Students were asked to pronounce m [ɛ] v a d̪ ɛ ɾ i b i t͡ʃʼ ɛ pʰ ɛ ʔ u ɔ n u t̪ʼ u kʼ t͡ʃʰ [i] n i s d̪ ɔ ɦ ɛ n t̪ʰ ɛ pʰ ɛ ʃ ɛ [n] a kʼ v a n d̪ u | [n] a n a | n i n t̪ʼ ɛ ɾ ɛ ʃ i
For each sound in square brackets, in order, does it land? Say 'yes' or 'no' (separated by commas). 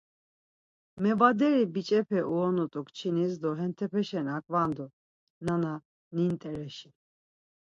yes, yes, yes, yes